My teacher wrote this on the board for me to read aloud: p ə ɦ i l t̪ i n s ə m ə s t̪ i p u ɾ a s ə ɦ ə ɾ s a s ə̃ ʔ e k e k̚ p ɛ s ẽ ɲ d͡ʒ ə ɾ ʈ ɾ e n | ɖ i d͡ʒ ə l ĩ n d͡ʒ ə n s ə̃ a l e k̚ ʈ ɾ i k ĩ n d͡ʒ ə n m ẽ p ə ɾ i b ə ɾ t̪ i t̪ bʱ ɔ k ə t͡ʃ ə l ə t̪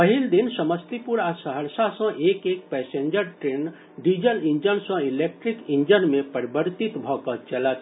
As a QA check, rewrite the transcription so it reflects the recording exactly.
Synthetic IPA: p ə ɦ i l d̪ i n s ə m ə s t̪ i p u ɾ a s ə ɦ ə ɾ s a s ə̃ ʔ e k e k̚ p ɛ s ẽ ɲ d͡ʒ ə ɾ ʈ ɾ e n | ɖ i d͡ʒ ə l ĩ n d͡ʒ ə n s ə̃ i l e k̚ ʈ ɾ i k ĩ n d͡ʒ ə n m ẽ p ə ɾ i b ə ɾ t̪ i t̪ bʱ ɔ k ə t͡ʃ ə l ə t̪